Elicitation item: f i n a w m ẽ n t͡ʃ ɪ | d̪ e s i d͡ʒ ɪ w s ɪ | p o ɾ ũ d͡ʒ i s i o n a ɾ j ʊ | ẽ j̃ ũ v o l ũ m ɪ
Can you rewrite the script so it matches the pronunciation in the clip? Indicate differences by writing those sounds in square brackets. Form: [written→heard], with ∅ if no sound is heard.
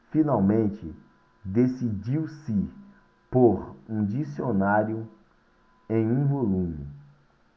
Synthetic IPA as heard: f i n a w m ẽ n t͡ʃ ɪ | d̪ e s i d͡ʒ [ɪ→i] w s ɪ | p o ɾ ũ d͡ʒ i s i o n a ɾ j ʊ | ẽ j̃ ũ v o l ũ m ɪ